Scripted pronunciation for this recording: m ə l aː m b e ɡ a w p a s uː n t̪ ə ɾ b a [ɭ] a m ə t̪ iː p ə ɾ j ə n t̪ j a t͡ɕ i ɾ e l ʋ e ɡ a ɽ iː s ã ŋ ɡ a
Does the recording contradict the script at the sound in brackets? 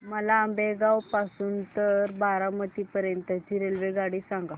yes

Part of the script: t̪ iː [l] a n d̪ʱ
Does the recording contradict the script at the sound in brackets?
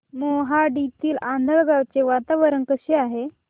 no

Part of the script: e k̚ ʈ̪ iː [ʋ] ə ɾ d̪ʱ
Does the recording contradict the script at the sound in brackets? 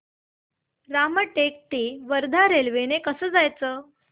no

